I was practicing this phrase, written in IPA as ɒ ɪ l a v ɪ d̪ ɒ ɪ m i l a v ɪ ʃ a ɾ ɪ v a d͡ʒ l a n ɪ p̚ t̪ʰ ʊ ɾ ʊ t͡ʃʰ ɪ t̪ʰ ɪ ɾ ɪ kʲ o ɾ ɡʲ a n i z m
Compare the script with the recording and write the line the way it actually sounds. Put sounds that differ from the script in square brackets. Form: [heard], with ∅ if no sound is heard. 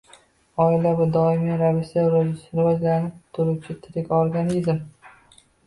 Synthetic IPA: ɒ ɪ l a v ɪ d̪ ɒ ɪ m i [ɾ] a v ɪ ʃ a ɾ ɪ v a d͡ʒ l a n ɪ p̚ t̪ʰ ʊ ɾ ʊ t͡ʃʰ ɪ t̪ʰ ɪ ɾ ɪ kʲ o ɾ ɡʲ a n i z m